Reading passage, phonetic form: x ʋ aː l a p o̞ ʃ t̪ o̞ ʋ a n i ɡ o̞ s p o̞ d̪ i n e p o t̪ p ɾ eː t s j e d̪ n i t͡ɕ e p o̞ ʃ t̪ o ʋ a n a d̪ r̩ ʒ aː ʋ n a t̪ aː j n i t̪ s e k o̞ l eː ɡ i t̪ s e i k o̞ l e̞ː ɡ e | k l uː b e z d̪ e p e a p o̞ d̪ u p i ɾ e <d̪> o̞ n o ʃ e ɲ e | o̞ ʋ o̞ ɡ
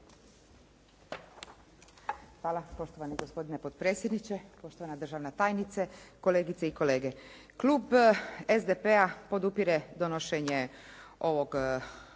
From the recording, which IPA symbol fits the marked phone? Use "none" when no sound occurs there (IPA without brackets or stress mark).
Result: d̪